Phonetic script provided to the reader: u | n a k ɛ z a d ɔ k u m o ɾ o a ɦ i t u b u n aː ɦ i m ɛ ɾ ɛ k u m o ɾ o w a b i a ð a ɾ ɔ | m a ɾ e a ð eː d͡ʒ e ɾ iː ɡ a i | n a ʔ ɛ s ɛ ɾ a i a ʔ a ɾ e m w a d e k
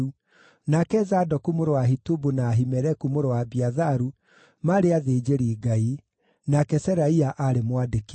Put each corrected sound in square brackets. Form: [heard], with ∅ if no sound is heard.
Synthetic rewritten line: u | n a k ɛ z a d ɔ k u m o ɾ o a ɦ i t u b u n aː ɦ i m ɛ ɾ ɛ k u m o ɾ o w a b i a ð a ɾ [u] | m a ɾ e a ð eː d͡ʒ e ɾ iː ɡ a i | n a [k] ɛ s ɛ ɾ a i a ʔ a ɾ e m w a d e k